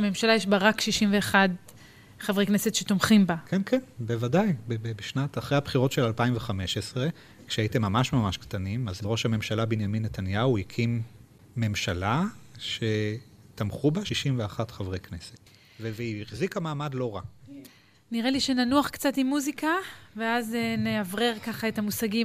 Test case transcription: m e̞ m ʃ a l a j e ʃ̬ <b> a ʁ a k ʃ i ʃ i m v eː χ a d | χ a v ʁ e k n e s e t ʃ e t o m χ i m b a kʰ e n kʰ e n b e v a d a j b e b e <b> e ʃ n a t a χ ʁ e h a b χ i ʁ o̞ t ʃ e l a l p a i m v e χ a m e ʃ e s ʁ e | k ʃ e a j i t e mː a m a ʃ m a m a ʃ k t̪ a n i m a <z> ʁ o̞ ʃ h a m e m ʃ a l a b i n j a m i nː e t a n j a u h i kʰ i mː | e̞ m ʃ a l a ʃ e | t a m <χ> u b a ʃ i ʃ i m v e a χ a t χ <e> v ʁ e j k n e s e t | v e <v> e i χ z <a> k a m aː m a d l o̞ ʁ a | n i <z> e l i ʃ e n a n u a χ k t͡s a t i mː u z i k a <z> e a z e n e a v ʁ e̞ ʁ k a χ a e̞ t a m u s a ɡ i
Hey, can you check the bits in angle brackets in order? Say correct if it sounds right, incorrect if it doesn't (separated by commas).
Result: correct, correct, correct, correct, incorrect, correct, incorrect, incorrect, incorrect